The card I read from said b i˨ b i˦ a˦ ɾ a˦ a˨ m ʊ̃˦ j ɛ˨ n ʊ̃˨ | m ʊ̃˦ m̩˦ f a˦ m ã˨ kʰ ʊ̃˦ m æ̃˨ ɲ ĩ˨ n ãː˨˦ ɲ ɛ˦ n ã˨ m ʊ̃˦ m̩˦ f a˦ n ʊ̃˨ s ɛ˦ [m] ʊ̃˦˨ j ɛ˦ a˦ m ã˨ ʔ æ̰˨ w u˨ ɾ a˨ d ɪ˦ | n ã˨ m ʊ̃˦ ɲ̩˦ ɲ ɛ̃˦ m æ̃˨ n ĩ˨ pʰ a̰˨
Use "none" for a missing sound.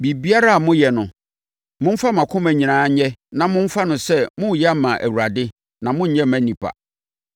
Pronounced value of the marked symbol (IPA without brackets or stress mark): m